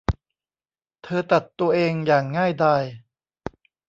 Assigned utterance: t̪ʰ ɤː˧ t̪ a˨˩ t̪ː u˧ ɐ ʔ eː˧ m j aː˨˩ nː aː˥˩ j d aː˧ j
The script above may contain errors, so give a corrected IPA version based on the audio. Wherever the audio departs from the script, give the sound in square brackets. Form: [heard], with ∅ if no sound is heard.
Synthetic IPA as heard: t̪ʰ ɤː˧ t̪ a˨˩ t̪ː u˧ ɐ ʔ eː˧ [ŋ] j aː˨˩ [ŋː] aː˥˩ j d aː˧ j